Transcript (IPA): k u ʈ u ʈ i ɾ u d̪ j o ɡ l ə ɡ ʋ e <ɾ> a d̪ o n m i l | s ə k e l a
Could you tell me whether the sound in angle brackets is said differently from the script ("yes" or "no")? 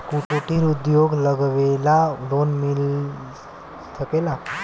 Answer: yes